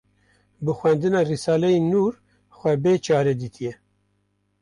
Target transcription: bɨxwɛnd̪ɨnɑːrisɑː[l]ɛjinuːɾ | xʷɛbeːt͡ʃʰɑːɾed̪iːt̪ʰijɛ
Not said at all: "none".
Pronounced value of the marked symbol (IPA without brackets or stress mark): l